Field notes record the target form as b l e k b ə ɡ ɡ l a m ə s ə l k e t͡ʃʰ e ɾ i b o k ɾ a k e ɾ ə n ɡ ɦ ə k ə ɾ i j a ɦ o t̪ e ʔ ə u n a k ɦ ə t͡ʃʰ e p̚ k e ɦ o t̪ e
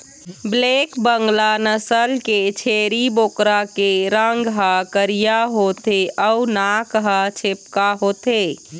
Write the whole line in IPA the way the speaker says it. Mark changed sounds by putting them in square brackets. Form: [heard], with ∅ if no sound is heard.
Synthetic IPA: b l e k b ə [ŋ] ɡ l a [n] ə s ə l k e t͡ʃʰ e ɾ i b o k ɾ a k e ɾ ə [ŋ] ɡ ɦ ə k ə ɾ i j a ɦ o t̪ e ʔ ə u n a k ɦ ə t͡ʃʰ e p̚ k [a] ɦ o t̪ e